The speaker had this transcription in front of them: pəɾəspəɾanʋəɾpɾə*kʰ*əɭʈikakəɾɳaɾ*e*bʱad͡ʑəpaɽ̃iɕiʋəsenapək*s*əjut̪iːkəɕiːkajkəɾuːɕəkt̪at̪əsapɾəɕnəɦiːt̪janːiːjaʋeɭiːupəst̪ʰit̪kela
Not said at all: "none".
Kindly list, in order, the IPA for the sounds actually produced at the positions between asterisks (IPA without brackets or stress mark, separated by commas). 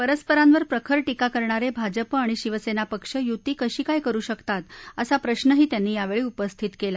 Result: kʰ, e, ʂ